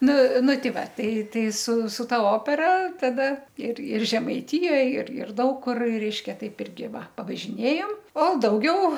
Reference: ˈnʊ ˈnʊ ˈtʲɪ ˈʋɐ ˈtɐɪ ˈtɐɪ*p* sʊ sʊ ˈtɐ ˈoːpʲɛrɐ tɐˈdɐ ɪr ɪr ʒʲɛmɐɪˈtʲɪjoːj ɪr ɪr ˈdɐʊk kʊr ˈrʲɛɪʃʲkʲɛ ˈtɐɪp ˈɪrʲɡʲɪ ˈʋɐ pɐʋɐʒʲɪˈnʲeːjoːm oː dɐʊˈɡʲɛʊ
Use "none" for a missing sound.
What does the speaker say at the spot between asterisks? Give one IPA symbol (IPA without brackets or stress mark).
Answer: none